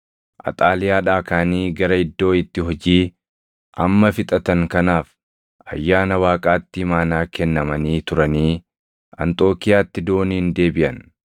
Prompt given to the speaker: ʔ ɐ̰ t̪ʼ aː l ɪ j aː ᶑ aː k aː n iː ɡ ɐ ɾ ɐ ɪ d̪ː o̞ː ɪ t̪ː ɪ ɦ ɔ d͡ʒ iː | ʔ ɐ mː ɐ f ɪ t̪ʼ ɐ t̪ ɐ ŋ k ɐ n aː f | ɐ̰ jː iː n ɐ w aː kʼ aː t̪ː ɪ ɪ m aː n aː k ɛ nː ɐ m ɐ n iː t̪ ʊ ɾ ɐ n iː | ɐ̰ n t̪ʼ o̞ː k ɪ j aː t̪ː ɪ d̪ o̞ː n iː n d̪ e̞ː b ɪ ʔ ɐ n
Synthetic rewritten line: ʔ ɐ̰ t̪ʼ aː l ɪ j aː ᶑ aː k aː n iː ɡ ɐ ɾ ɐ ɪ d̪ː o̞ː ɪ t̪ː ɪ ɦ ɔ d͡ʒ iː | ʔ ɐ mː ɐ f ɪ t̪ʼ ɐ t̪ ɐ ŋ k ɐ n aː f | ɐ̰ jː aː n ɐ w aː kʼ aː t̪ː ɪ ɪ m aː n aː k ɛ nː ɐ m ɐ n iː t̪ ʊ ɾ ɐ n iː | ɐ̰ n t̪ʼ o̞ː k ɪ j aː t̪ː ɪ d̪ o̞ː n iː n d̪ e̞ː b ɪ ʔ ɐ n